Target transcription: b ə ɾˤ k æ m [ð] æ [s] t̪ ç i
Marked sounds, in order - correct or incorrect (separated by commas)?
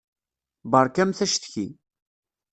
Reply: incorrect, incorrect